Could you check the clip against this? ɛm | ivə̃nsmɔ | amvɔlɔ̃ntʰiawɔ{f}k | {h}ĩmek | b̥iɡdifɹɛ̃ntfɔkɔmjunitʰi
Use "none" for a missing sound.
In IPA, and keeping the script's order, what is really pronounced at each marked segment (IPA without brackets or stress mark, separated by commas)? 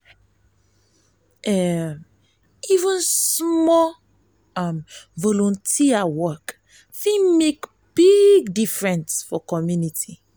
none, f